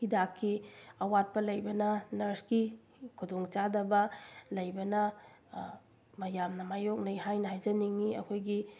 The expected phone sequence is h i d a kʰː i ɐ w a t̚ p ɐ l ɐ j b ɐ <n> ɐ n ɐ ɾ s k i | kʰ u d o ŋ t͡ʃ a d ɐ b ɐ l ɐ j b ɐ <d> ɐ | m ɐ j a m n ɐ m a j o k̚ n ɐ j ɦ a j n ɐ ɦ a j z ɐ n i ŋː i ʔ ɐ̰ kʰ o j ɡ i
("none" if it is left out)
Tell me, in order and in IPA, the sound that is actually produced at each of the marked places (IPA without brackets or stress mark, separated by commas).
n, n